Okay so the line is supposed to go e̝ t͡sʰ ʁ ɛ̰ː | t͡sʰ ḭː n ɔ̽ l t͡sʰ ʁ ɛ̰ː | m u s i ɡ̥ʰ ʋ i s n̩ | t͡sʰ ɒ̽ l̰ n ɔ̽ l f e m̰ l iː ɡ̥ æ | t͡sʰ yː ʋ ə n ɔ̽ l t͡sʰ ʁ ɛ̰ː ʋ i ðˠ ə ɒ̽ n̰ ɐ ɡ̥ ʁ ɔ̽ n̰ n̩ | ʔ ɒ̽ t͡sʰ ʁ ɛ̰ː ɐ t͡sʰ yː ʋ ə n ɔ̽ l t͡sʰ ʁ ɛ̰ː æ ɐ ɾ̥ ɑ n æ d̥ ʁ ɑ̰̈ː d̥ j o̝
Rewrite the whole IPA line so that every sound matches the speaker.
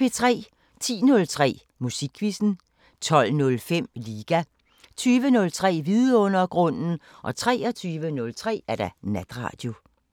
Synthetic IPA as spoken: e̝ t͡sʰ ʁ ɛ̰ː | t͡sʰ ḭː n ɔ̽ l t͡sʰ ʁ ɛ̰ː | m u s i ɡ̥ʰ ʋ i s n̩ | t͡sʰ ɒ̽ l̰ n ɔ̽ l f e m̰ l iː ɡ̥ æ | t͡sʰ yː ʋ ə n ɔ̽ l t͡sʰ ʁ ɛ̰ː ʋ i ðˠ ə ɔ̽ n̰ ɐ ɡ̥ ʁ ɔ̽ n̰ n̩ | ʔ ɒ̽ t͡sʰ ʁ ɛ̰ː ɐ t͡sʰ yː ʋ ə n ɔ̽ l t͡sʰ ʁ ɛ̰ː æ ɐ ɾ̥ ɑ n æ d̥ ʁ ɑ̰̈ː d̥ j o̝